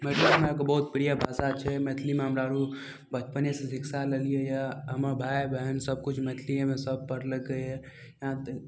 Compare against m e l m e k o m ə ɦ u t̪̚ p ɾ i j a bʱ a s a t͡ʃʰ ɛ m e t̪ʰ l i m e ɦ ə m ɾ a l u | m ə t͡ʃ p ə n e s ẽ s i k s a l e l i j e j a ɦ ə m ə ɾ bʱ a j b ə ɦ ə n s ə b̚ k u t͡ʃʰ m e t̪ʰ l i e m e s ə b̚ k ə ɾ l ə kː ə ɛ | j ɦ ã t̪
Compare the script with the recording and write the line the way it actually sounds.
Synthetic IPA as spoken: m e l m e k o b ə ɦ u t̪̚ p ɾ i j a bʱ a s a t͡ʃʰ ɛ m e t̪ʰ l i m e ɦ ə m ɾ a ɾ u | b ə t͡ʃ p ə n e s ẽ s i k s a l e l i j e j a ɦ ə m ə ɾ bʱ a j b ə ɦ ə n s ə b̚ k u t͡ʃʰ m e t̪ʰ l i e m e s ə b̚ p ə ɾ l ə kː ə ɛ | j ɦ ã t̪